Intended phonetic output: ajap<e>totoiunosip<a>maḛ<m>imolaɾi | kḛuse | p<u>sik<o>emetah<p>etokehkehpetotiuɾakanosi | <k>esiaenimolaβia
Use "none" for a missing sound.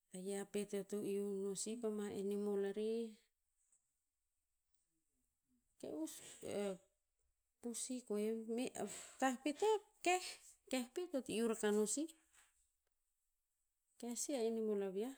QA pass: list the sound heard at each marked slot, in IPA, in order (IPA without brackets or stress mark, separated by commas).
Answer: e, a, n, u, o, p, k